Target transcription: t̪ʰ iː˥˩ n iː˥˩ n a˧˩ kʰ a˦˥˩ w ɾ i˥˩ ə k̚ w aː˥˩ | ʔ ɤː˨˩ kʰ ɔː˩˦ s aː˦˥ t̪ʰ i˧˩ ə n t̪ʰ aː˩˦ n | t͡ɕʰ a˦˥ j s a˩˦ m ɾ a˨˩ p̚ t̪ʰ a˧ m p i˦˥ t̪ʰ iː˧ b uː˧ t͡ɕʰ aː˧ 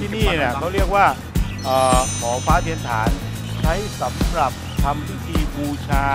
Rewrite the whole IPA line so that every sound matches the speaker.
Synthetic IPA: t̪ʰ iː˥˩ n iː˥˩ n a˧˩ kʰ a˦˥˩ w ɾ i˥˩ ə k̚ w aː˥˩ | ʔ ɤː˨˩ kʰ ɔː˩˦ f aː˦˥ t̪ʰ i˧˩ ə n t̪ʰ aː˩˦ n | t͡ɕʰ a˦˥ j s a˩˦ m ɾ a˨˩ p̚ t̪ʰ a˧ m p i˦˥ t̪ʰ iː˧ b uː˧ t͡ɕʰ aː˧